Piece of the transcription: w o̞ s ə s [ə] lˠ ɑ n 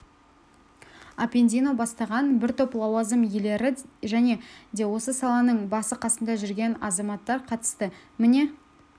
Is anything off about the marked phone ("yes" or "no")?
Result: yes